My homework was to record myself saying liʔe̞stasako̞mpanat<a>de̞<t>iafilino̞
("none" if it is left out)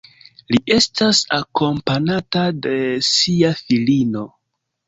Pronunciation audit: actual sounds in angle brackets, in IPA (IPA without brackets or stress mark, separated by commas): a, s